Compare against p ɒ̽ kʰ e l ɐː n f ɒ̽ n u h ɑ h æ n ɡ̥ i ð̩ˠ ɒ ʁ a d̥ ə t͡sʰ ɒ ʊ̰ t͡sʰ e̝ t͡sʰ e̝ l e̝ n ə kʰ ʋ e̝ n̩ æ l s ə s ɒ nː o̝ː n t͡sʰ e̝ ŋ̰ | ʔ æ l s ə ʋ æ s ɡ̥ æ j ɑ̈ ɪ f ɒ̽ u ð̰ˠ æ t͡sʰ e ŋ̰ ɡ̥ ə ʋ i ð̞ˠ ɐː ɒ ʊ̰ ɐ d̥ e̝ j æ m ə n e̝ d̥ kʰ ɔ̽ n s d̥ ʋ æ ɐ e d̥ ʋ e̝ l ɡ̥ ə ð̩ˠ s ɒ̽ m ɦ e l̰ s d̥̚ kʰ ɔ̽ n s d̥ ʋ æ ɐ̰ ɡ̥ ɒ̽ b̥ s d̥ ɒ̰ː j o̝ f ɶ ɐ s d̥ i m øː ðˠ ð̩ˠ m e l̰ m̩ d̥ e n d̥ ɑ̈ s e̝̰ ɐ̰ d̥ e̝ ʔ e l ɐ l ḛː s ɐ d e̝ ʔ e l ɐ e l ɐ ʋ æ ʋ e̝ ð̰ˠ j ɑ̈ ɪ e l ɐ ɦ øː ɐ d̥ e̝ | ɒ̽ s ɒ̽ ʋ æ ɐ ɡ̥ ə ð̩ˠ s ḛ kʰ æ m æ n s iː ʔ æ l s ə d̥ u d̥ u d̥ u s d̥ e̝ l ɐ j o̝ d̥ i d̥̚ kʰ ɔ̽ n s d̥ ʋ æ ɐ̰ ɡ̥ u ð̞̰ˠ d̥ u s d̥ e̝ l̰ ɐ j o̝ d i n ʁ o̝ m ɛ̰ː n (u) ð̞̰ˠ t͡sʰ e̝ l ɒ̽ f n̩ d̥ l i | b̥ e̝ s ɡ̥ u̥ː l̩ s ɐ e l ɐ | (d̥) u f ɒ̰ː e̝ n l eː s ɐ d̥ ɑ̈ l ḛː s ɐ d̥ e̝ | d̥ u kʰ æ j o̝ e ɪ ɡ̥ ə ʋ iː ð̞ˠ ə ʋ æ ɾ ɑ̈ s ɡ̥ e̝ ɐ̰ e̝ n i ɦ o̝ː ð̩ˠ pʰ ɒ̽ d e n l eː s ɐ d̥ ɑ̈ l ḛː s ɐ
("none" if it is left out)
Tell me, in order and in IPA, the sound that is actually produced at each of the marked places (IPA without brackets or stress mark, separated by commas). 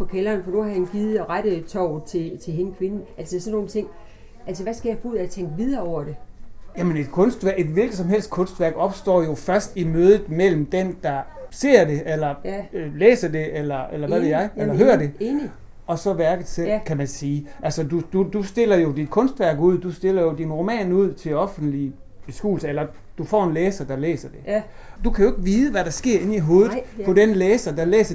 u, d̥